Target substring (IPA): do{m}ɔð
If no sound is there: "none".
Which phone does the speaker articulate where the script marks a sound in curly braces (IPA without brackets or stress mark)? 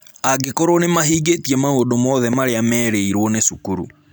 m